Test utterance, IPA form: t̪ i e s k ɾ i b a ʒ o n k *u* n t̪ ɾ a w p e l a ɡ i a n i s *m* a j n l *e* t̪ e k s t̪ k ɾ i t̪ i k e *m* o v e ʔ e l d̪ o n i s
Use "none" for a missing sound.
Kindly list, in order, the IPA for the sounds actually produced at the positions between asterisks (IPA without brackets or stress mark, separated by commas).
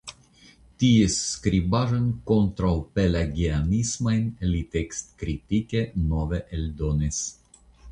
o, m, i, n